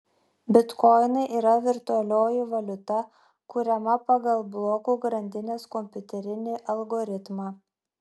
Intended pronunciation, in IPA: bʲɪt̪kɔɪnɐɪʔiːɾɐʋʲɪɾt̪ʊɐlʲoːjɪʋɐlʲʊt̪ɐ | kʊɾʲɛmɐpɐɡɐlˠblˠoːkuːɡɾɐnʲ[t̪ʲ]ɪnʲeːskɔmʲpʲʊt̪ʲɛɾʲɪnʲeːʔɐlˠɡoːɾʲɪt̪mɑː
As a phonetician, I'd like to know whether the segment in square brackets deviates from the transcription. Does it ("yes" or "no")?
yes